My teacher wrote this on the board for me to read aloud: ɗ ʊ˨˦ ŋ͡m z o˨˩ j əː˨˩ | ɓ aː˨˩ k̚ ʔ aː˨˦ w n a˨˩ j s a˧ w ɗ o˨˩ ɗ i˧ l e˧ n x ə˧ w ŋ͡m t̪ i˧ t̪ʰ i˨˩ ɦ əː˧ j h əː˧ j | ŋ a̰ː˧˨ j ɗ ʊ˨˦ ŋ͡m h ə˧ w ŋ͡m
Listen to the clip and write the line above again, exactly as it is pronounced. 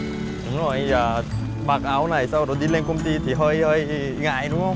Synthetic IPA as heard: ɗ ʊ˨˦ ŋ͡m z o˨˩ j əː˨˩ | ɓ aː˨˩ k̚ ʔ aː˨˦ w n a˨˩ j s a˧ w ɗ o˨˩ ɗ i˧ l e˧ n k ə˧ w ŋ͡m t̪ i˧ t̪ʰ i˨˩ ɦ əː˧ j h əː˧ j | ŋ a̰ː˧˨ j ɗ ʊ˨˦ ŋ͡m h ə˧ w ŋ͡m